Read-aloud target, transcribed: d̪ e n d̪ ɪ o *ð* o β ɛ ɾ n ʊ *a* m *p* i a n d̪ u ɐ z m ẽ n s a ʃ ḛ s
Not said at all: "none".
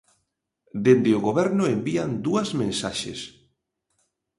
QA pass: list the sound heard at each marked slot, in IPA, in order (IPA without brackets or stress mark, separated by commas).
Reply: ɣ, e, b